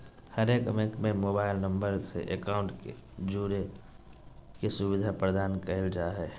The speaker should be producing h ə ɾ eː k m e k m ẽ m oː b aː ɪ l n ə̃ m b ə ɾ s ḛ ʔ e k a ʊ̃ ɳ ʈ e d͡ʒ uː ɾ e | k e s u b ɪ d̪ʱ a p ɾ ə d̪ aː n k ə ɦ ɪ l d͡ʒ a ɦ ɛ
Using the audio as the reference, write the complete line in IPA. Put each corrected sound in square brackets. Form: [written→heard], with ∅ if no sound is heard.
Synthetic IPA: h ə ɾ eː k m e k m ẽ m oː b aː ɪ l n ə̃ m b ə ɾ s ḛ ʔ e k a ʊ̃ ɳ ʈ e d͡ʒ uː ɾ e | k e s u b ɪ d̪ʱ a p ɾ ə d̪ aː n k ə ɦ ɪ l d͡ʒ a ɦ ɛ